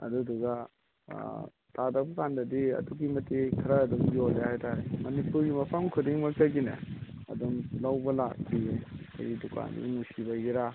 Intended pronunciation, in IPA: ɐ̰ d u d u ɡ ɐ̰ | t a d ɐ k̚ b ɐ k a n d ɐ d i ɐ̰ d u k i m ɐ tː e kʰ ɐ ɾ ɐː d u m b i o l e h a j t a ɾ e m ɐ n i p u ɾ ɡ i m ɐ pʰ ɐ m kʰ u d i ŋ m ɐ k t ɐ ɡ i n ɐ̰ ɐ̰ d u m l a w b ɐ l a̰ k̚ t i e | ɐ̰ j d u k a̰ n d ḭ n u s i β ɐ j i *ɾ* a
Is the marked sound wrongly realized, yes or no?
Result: no